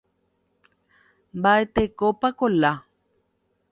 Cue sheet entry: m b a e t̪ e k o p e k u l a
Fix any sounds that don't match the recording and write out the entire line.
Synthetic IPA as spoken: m b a e t̪ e k o p a k o l a